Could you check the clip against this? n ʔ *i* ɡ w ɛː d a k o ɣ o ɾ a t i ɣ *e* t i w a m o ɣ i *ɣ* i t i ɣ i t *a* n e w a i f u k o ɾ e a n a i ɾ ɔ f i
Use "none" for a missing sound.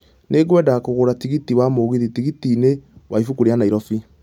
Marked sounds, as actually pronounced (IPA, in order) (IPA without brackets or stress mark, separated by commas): e, i, ð, i